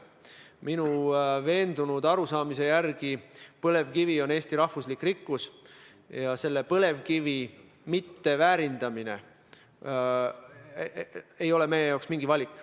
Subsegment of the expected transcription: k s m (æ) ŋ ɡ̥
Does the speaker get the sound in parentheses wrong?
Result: yes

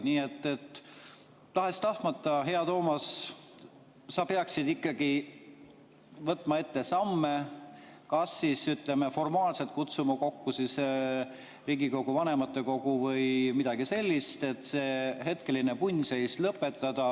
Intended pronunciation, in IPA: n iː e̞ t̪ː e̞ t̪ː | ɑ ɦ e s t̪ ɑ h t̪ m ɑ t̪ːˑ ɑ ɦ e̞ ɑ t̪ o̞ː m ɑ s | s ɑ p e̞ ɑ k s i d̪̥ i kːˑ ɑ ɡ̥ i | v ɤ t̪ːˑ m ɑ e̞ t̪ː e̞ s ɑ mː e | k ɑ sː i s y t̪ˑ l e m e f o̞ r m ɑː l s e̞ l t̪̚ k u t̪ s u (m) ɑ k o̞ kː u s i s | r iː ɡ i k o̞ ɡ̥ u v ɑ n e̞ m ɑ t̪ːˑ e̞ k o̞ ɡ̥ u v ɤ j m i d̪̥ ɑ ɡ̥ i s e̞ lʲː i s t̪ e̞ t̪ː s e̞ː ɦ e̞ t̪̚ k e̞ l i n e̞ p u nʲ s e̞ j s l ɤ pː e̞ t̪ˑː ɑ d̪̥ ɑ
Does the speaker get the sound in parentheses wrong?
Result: no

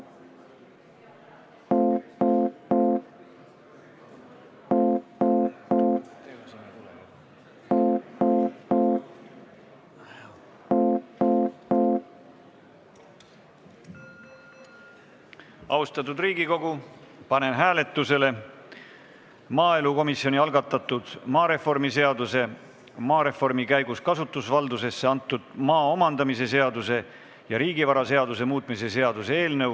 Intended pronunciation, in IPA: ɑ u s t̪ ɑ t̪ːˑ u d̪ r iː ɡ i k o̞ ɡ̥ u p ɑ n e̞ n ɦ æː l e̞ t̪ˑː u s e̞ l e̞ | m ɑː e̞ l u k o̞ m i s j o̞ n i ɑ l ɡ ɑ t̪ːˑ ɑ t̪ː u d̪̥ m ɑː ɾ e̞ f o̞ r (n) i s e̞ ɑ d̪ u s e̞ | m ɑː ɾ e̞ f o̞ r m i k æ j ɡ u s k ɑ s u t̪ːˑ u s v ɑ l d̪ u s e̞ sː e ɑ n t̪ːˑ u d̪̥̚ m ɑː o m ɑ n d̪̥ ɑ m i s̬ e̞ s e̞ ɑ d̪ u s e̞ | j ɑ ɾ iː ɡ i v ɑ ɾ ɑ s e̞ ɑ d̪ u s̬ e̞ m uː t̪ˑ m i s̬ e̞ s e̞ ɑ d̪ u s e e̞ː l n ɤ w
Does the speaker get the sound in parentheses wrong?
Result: yes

